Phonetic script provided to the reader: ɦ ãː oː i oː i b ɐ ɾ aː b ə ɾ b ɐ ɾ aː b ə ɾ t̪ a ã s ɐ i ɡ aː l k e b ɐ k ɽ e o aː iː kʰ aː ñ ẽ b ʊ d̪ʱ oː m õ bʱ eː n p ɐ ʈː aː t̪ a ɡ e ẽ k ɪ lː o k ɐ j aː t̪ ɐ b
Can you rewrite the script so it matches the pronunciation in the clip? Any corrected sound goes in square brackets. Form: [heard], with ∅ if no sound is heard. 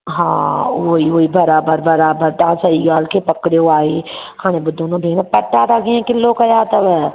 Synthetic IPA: ɦ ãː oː i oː i b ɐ ɾ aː b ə ɾ b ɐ ɾ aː b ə ɾ t̪ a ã s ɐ i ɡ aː l k e [p] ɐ k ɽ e o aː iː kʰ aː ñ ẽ b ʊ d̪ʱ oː [n] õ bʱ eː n p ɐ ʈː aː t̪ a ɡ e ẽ k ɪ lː o k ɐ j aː t̪ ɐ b